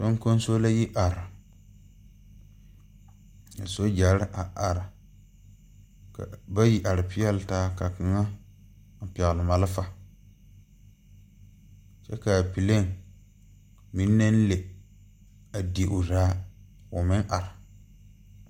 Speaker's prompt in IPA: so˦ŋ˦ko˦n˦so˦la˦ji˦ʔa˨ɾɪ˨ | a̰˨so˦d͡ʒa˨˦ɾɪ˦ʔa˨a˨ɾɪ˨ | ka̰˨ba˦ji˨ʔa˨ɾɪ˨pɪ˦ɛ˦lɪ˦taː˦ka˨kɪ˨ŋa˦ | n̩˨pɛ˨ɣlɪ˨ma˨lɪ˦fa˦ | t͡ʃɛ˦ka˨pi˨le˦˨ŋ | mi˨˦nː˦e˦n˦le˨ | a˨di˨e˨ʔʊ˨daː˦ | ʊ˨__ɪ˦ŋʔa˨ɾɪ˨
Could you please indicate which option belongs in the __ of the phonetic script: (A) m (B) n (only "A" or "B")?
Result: A